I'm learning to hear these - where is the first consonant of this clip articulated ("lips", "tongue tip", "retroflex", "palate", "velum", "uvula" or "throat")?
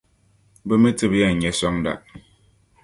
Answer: lips